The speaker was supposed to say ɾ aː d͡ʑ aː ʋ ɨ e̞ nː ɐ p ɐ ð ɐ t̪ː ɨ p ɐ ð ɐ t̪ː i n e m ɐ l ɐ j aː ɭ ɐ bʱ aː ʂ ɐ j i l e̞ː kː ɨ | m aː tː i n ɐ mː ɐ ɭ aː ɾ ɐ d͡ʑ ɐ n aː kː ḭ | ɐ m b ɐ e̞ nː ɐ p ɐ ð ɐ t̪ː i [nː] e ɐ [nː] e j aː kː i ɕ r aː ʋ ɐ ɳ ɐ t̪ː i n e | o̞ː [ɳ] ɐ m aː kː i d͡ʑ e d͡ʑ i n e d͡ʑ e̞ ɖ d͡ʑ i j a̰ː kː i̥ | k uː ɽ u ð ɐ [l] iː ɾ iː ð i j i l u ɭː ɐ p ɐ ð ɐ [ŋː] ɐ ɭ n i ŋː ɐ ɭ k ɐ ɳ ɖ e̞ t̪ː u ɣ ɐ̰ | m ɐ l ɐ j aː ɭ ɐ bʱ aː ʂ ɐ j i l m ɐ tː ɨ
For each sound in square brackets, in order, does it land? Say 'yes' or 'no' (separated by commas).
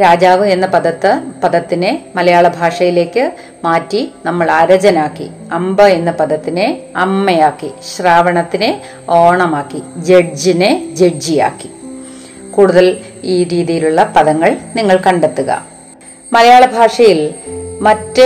no, no, yes, yes, yes